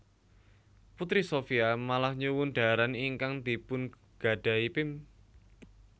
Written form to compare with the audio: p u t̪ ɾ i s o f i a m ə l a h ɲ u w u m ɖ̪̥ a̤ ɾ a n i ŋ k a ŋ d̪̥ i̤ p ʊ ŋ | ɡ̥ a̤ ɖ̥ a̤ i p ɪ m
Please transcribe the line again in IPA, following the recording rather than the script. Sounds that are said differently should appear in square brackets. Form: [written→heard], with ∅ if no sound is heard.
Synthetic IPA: p u t̪ ɾ i s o f i a m [ə→a] l a h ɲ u w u [m→n] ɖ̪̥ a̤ ɾ a n i ŋ k a ŋ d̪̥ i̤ p ʊ [ŋ→n] | ɡ̥ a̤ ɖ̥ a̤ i p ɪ m